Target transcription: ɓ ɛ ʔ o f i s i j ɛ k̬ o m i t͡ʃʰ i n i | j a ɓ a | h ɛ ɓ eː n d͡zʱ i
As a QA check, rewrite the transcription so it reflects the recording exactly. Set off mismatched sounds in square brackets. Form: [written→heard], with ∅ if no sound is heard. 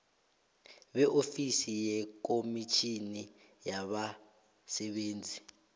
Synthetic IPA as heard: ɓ ɛ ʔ o f i s i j ɛ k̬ o m i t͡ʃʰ i n i | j a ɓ a | [h→s] ɛ ɓ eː n d͡zʱ i